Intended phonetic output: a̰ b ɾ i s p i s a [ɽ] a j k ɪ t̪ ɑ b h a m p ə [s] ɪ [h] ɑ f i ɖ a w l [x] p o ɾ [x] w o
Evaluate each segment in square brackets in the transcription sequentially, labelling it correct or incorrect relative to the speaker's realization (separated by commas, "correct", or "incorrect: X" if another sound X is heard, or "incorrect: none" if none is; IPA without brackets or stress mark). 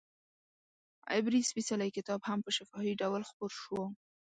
incorrect: l, incorrect: ʃ, incorrect: f, correct, incorrect: ʃ